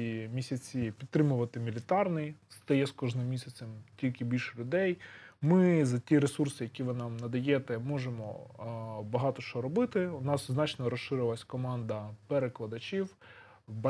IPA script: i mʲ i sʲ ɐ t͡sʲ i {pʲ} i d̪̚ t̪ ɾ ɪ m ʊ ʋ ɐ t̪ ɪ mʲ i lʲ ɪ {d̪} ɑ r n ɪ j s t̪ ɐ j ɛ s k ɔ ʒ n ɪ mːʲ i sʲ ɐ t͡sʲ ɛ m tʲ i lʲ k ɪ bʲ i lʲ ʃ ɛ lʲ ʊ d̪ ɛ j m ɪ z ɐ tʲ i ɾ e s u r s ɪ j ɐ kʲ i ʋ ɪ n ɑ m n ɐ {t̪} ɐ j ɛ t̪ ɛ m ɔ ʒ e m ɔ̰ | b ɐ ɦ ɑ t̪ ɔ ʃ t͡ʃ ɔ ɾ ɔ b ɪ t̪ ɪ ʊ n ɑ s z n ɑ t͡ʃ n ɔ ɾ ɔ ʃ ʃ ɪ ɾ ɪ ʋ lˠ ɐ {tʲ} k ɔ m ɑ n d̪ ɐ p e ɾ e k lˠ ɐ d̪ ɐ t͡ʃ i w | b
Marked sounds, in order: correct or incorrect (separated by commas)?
correct, incorrect, incorrect, incorrect